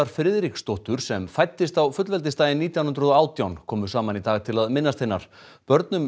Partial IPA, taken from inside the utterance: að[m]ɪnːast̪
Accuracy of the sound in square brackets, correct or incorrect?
correct